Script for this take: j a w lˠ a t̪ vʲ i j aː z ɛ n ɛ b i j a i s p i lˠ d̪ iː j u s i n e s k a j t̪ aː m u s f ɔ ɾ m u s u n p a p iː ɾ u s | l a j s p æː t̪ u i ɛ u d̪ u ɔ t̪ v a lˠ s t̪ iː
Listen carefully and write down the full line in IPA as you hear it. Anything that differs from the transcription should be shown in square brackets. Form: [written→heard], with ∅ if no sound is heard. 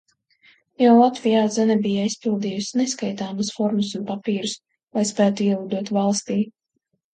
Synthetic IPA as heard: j a w lˠ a t̪ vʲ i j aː z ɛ n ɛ b i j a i s p i lˠ d̪ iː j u s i n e s k a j t̪ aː m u s f ɔ ɾ m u s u n p a p iː ɾ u s | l a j s p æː t̪ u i ɛ u d̪ u ɔ t̪ v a lˠ s t̪ iː